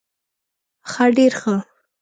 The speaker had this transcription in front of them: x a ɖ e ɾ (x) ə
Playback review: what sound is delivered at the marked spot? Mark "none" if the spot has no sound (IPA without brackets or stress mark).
x